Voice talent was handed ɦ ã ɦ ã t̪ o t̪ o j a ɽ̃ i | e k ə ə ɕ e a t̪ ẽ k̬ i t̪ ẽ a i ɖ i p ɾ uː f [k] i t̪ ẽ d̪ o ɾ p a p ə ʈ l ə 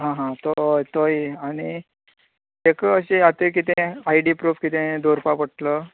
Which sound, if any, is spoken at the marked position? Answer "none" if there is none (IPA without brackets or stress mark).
k